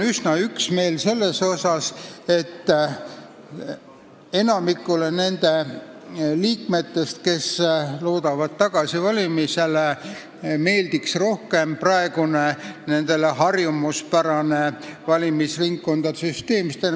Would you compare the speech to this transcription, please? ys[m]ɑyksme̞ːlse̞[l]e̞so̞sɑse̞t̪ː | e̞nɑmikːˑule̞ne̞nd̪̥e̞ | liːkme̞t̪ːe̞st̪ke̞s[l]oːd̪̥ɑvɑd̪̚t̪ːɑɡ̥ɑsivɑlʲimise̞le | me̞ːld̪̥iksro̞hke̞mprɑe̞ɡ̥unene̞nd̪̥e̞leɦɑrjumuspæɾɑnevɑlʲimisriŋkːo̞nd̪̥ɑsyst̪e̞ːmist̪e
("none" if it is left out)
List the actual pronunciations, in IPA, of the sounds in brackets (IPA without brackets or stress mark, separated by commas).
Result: n, lː, l